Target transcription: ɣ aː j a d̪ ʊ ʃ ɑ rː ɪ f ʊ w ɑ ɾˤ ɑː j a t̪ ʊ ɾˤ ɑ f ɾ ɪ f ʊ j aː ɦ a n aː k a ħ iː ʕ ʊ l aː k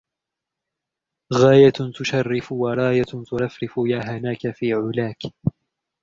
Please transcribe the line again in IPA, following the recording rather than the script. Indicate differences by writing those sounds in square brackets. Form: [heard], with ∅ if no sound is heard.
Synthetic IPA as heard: ɣ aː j a [t̪] ʊ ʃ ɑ rː ɪ f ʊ w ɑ ɾˤ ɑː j a t̪ ʊ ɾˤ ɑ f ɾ ɪ f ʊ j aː ɦ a n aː k a [f] iː ʕ ʊ l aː k